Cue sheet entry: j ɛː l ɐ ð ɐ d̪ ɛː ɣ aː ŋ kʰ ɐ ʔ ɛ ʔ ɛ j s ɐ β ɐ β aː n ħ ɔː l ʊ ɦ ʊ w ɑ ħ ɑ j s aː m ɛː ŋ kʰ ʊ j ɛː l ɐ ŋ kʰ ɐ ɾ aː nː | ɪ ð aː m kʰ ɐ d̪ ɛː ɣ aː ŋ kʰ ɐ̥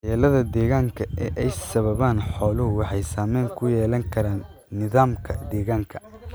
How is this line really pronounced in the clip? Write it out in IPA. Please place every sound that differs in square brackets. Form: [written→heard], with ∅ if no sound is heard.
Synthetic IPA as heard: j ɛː l ɐ ð ɐ d̪ ɛː ɣ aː ŋ kʰ ɐ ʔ ɛ ʔ ɛ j s ɐ β ɐ β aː n ħ ɔː l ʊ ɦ ʊ w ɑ ħ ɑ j s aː m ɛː ŋ kʰ ʊ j ɛː l ɐ ŋ kʰ ɐ ɾ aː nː | ɪ ð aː m kʰ ɐ d̪ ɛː ɣ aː ŋ kʰ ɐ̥